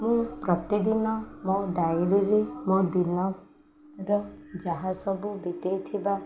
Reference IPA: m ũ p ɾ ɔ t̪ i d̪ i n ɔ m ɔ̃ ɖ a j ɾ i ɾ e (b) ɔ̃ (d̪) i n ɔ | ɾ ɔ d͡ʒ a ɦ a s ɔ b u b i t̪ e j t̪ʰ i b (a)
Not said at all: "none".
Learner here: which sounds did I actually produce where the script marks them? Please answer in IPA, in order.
m, d̪, a

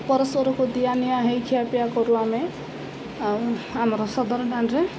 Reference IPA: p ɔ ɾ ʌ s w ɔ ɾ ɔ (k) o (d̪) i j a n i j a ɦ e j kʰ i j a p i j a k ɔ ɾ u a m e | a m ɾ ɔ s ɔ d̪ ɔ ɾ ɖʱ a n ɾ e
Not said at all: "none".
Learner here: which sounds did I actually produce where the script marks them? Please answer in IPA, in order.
k, d̪

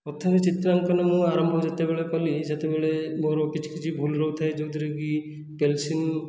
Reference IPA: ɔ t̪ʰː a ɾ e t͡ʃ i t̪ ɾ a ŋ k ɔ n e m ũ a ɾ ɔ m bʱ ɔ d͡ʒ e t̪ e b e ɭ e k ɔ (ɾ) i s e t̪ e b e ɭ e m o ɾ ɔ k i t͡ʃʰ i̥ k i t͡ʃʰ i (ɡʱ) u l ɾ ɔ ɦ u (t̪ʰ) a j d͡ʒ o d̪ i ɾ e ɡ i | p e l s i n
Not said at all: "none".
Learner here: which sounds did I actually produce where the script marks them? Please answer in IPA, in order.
l, bʱ, t̪ʰ

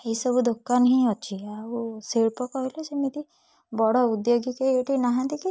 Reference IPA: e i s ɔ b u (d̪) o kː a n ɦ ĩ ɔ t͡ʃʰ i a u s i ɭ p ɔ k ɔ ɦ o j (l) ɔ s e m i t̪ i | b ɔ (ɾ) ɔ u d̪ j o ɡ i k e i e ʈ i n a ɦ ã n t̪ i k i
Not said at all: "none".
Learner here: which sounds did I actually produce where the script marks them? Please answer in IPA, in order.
d̪, l, ɽ

